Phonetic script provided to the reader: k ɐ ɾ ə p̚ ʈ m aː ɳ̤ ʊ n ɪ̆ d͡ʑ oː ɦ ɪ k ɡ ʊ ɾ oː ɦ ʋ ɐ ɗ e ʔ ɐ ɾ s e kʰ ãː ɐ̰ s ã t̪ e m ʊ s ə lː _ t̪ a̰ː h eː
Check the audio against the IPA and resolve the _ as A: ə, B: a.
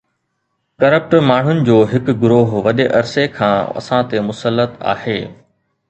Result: A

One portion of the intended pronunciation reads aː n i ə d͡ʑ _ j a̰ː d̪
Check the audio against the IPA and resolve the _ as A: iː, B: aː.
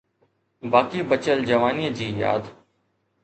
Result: A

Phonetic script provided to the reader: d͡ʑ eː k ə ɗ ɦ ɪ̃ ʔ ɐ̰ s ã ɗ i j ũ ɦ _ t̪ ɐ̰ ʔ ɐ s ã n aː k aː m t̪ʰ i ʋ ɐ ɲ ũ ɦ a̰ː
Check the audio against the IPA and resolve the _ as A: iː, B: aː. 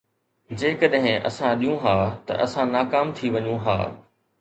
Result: B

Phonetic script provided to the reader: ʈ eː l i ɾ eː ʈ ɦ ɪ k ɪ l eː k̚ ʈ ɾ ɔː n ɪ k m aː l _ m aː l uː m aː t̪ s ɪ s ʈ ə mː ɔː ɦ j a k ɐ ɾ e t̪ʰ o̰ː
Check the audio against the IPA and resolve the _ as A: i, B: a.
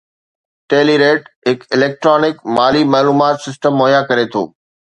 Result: A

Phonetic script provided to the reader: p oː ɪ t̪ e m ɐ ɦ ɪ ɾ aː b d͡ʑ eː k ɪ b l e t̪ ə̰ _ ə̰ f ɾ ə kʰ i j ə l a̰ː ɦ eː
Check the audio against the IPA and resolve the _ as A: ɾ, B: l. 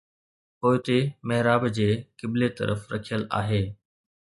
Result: A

